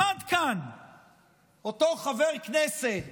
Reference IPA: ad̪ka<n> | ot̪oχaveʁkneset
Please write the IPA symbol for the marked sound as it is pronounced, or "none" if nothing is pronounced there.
n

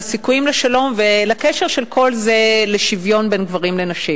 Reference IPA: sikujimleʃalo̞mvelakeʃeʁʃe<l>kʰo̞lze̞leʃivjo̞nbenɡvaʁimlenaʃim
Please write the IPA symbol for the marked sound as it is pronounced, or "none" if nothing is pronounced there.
l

